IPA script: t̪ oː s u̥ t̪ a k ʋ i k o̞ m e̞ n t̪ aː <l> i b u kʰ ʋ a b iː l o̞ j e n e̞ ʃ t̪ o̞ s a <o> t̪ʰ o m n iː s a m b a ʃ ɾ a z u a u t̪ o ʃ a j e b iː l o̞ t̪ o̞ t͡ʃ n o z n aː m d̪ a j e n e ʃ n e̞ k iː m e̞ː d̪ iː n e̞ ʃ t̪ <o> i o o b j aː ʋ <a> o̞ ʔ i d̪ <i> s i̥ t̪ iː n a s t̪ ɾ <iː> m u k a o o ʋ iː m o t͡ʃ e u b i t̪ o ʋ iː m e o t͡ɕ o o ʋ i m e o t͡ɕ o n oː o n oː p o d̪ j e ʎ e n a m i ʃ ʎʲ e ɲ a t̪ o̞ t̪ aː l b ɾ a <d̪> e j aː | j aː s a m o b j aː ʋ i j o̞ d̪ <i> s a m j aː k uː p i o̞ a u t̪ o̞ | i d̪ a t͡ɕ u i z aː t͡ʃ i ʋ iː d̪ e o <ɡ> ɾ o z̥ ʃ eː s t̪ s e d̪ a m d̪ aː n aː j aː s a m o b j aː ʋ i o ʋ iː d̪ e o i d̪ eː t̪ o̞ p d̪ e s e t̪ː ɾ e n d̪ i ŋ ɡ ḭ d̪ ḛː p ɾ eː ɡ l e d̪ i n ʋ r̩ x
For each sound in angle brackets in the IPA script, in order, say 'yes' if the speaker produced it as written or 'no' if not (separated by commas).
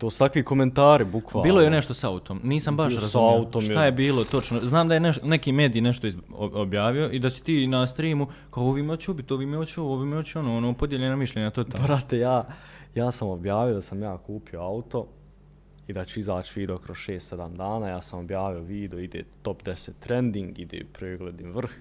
no, no, yes, no, no, yes, no, no, no